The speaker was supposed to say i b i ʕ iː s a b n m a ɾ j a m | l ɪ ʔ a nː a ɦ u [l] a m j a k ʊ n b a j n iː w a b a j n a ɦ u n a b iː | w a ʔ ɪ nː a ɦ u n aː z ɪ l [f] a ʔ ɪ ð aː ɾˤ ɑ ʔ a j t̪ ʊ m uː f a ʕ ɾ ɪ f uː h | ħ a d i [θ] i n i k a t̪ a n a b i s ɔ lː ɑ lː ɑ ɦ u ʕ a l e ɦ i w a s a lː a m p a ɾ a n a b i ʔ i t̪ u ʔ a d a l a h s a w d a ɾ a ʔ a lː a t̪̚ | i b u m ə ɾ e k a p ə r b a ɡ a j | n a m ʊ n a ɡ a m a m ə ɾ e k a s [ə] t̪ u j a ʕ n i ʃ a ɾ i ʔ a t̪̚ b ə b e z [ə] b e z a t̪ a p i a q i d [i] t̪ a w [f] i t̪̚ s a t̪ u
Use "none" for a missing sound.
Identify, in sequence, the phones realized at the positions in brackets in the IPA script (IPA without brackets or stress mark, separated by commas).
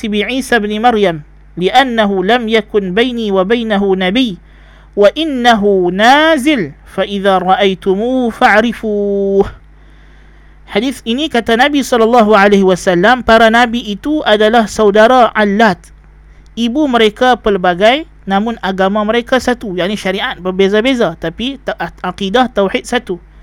l, f, θ, a, a, a, ħ